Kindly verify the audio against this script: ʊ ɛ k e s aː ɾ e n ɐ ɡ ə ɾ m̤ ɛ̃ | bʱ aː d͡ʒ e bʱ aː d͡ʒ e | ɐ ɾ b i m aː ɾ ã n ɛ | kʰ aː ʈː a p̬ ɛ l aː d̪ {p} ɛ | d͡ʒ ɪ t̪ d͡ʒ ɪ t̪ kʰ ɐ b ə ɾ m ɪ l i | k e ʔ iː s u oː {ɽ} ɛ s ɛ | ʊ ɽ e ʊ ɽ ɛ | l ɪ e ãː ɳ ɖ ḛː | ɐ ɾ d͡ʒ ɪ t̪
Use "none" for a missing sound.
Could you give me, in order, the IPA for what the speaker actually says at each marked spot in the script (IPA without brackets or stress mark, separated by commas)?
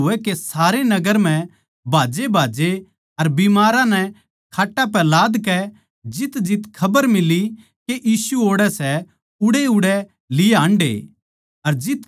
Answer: k, ɽ